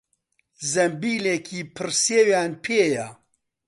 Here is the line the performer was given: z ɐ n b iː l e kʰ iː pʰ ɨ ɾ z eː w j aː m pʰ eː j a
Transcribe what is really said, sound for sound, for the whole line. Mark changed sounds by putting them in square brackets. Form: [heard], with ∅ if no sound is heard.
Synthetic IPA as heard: z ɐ [m] b iː l e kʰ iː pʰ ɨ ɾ [s] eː w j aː [n] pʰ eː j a